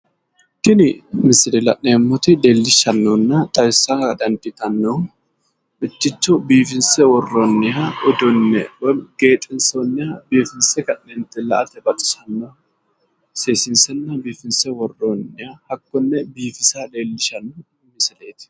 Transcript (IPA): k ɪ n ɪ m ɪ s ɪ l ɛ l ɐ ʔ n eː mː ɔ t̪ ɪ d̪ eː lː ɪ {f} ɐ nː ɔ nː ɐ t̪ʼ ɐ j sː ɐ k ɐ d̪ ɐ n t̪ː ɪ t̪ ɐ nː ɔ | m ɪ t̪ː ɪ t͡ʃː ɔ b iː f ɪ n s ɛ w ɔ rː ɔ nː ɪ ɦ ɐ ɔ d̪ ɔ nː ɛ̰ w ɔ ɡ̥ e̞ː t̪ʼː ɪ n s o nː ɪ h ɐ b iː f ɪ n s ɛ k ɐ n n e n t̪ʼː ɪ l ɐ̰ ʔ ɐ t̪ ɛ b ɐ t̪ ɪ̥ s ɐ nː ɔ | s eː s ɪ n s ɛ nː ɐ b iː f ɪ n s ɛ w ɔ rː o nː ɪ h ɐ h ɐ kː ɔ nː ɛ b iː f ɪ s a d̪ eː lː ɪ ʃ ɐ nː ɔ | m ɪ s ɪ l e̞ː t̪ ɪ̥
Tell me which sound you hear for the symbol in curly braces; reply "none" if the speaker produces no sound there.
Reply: ʃ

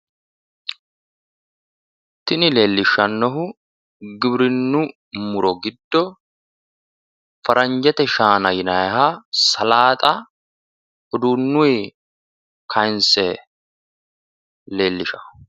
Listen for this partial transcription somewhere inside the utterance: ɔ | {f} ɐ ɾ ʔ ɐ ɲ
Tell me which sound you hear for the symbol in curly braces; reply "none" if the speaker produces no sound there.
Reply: f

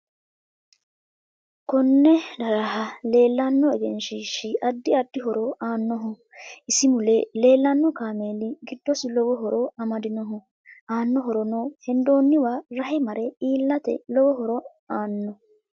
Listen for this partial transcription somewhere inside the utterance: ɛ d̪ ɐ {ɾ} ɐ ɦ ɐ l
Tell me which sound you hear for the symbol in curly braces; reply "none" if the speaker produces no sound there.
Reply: ɾ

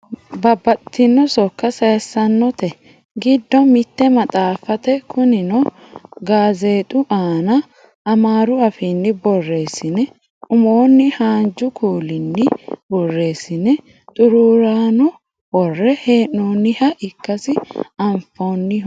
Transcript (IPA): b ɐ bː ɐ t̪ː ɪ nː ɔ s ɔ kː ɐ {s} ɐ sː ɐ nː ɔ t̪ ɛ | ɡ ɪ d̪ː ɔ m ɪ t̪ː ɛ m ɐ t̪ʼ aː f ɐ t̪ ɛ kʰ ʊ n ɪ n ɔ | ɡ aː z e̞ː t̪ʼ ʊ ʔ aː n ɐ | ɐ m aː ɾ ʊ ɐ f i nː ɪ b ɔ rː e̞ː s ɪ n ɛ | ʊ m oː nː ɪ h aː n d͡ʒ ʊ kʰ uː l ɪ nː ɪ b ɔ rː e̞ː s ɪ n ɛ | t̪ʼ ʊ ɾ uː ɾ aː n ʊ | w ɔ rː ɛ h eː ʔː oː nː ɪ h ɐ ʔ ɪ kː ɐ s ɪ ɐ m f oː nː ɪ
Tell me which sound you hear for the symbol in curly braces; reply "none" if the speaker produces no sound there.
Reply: s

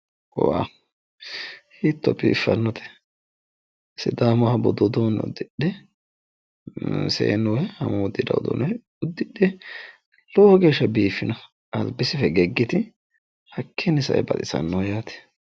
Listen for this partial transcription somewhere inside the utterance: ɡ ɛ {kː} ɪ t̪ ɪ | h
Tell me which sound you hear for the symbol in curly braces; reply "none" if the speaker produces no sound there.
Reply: ɡː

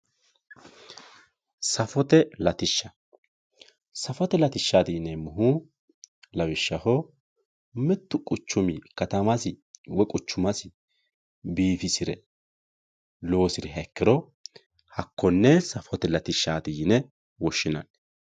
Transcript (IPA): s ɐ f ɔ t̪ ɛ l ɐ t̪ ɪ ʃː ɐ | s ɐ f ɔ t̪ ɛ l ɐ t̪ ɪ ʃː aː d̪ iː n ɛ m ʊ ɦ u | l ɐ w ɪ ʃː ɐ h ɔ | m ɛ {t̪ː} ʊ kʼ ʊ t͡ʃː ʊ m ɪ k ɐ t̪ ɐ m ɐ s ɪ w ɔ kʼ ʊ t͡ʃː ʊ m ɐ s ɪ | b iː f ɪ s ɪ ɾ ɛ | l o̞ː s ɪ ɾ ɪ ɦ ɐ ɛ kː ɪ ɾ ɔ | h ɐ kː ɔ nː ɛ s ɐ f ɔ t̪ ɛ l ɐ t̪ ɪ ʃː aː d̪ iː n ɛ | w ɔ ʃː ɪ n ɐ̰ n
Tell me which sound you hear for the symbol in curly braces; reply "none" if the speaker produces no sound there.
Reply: t̪ː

